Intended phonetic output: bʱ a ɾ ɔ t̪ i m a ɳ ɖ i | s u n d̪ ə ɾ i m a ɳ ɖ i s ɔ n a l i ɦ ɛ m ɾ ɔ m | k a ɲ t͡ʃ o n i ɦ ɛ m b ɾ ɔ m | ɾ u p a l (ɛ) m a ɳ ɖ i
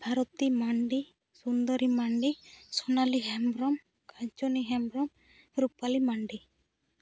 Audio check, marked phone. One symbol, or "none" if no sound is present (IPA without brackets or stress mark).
i